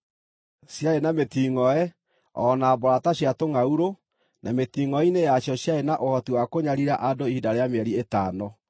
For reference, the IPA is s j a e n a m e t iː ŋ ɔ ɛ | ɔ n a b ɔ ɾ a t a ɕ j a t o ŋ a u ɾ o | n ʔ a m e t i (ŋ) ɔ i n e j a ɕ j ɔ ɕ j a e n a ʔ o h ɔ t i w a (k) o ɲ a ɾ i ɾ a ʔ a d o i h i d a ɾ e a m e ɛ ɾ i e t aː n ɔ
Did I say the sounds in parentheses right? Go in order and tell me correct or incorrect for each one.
correct, correct

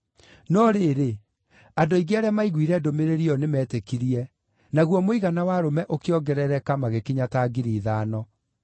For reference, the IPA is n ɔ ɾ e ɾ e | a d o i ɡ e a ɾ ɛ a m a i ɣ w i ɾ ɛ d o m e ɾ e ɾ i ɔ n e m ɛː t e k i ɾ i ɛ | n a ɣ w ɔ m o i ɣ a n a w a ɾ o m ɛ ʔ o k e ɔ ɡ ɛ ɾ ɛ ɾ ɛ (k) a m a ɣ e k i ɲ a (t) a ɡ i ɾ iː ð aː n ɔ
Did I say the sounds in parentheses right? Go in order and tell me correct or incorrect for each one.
correct, correct

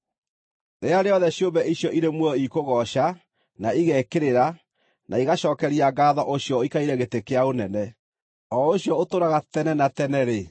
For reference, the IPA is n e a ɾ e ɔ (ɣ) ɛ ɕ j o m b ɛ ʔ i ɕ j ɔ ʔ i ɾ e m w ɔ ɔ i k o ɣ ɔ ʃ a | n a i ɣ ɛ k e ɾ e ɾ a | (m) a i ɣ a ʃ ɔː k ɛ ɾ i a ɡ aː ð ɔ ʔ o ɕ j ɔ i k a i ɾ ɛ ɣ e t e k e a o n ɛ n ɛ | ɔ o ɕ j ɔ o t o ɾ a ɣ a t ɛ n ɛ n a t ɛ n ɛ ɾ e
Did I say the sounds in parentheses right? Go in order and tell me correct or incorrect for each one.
incorrect, incorrect

